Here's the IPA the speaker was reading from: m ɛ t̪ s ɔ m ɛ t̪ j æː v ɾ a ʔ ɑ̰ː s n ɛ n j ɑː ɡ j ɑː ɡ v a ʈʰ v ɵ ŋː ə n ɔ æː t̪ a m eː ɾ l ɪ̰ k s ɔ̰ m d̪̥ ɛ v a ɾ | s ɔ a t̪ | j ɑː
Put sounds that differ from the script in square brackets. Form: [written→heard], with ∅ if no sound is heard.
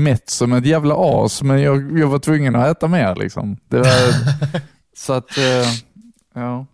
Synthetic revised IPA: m ɛ t̪ s ɔ m ɛ t̪ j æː v [ɾ→l] a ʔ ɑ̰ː s [n→m] ɛ n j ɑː ɡ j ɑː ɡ v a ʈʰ v ɵ ŋː ə n ɔ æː t̪ a m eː ɾ l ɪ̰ k s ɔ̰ m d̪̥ ɛ v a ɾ | s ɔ a t̪ | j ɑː